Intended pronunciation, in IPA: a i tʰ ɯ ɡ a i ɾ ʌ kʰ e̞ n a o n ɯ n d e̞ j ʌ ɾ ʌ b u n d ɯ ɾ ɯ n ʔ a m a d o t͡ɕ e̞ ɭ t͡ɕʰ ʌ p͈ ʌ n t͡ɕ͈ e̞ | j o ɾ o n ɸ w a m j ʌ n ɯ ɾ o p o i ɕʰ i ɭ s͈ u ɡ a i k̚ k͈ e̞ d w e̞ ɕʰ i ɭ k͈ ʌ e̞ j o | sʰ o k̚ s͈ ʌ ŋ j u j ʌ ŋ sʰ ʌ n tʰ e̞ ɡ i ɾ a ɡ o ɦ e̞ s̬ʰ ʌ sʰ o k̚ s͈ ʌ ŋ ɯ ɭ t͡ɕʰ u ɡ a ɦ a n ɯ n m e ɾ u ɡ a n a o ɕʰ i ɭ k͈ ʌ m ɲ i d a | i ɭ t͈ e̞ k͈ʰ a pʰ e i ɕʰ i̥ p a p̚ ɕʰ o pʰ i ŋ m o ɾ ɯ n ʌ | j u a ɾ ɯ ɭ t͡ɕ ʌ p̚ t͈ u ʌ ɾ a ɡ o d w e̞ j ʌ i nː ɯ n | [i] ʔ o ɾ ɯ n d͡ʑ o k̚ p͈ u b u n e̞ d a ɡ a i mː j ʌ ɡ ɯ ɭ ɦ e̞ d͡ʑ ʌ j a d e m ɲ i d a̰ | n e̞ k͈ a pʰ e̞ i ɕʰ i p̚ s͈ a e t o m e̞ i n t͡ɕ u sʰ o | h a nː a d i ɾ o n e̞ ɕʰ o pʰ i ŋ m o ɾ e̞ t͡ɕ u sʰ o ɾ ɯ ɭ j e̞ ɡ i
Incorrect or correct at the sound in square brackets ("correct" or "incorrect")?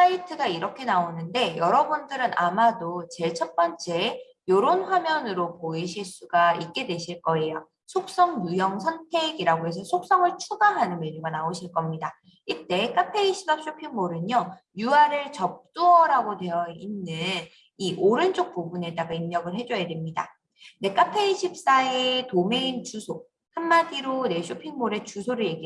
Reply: correct